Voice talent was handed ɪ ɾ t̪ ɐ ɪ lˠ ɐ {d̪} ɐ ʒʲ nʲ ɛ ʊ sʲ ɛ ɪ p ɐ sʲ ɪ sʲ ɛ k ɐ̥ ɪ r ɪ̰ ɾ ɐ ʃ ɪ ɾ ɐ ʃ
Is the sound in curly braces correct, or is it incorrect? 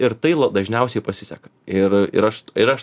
correct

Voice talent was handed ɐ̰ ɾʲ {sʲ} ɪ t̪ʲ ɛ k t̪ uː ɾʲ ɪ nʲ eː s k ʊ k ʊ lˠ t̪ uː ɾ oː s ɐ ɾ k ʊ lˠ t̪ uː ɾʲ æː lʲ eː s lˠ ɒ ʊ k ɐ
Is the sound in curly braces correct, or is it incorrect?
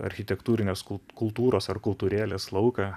incorrect: xʲ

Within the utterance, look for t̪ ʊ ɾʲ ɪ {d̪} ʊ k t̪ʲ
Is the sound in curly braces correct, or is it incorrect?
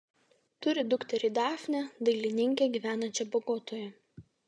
correct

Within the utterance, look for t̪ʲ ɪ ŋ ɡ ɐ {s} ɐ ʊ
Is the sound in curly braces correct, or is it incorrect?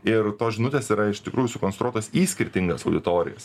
correct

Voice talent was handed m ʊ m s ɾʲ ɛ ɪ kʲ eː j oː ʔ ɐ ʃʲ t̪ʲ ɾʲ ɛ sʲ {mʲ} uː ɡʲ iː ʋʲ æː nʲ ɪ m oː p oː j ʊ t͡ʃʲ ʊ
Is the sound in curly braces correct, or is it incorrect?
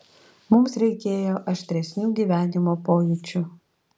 incorrect: nʲ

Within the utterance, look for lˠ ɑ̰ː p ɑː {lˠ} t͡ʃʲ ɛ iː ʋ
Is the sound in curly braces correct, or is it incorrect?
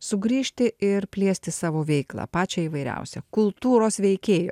incorrect: none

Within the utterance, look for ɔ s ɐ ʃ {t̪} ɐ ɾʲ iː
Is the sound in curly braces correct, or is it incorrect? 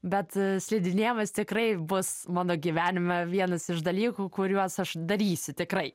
incorrect: d̪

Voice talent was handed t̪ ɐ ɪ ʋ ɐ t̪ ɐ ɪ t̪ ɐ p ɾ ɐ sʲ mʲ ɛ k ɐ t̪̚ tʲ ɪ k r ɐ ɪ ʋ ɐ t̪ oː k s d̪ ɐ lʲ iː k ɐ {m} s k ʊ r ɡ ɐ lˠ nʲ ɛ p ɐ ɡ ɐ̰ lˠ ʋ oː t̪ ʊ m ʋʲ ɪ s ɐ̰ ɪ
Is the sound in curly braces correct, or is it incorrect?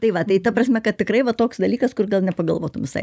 incorrect: none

